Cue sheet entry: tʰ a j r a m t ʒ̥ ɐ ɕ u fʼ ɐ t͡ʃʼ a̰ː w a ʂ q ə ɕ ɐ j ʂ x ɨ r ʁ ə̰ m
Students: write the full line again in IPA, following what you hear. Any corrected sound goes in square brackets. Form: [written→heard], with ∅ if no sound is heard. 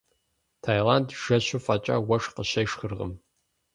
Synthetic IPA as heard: tʰ a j [r→l] a [m→n] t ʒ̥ ɐ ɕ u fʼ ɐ t͡ʃʼ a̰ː w [a→ɐ] ʂ q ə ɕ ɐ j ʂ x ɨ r ʁ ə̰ m